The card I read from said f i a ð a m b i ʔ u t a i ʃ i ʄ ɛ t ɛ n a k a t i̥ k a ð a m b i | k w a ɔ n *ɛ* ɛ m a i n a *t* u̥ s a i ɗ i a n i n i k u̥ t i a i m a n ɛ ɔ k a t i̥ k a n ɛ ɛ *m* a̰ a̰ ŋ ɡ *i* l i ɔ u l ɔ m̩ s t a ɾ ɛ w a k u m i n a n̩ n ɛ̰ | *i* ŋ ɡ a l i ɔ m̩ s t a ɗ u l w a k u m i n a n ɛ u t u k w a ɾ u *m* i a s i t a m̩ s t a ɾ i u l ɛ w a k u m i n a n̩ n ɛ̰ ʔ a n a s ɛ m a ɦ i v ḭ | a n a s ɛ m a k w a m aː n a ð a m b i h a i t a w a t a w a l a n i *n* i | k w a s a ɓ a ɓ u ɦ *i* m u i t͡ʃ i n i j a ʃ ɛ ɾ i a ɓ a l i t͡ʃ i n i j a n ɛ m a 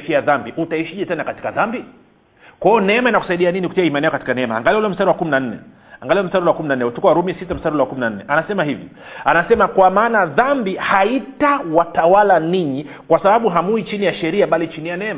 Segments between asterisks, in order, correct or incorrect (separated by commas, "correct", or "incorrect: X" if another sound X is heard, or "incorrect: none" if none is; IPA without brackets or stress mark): correct, incorrect: k, correct, incorrect: a, incorrect: a, correct, incorrect: ɲ, incorrect: a